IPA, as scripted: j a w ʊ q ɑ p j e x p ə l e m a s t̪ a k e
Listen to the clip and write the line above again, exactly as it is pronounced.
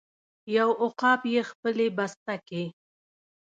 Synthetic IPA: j a w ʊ q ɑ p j e x p ə l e b a s t̪ a k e